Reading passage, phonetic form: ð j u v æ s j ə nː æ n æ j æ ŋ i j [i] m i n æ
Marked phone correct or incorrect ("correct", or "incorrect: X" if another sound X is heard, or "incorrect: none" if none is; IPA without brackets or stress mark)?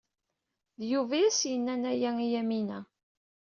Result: incorrect: æ